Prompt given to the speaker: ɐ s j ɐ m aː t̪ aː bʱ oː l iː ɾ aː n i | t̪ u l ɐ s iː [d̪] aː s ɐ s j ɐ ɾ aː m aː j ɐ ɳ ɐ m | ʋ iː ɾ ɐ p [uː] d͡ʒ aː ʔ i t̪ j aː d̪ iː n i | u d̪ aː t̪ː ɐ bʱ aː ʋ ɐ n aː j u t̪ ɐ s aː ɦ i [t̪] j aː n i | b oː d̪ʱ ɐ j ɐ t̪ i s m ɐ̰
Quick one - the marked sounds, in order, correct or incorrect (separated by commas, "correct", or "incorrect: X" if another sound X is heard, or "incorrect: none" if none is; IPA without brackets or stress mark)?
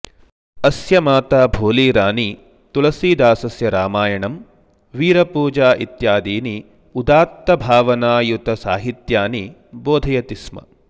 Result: correct, correct, correct